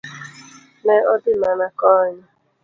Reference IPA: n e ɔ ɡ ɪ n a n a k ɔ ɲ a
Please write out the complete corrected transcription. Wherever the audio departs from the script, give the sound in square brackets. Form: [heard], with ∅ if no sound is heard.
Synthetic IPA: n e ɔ [d] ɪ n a n a k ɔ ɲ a